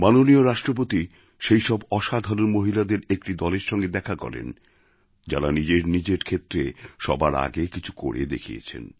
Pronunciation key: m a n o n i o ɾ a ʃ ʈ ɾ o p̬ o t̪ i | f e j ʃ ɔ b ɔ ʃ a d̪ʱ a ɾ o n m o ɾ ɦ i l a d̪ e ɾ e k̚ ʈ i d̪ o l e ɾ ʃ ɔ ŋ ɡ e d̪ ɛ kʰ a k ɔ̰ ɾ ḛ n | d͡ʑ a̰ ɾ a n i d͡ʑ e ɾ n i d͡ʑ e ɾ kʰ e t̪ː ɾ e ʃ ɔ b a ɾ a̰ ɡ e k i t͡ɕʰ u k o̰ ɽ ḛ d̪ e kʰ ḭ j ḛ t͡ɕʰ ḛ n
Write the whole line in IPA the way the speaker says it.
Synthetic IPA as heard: m a n o n i o ɾ a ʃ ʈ ɾ o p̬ o t̪ i | ʃ e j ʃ ɔ b ɔ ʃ a d̪ʱ a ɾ o n m o ɦ i l a d̪ e ɾ e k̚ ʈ i d̪ ɔ l e ɾ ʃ ɔ ŋ ɡ e d̪ ɛ kʰ a k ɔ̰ ɾ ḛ n | d͡ʑ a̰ ɾ a n i d͡ʑ e ɾ n i d͡ʑ e ɾ kʰ e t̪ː ɾ e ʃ ɔ b a ɾ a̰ ɡ e k i t͡ɕʰ u k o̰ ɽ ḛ d̪ e kʰ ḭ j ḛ t͡ɕʰ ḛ n